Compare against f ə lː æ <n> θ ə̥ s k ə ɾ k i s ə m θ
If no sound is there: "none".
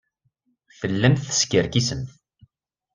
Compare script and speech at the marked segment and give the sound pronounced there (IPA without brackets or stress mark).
m